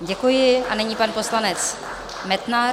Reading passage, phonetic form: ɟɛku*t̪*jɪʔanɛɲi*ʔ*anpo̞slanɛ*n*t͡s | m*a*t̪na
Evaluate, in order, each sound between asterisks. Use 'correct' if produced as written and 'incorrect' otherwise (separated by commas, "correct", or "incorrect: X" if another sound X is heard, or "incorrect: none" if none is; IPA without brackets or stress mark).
incorrect: none, incorrect: p, incorrect: none, incorrect: ɛ